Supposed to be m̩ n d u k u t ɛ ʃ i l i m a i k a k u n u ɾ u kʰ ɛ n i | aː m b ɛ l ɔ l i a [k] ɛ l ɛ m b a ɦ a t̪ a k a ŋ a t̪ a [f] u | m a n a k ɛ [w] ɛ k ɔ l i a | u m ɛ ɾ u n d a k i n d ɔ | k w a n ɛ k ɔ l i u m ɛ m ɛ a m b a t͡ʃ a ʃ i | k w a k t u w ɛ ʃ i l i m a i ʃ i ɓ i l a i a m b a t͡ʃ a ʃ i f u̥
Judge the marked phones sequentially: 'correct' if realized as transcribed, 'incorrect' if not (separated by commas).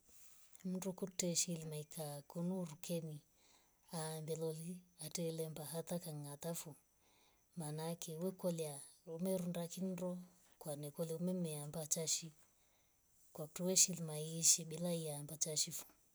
incorrect, correct, correct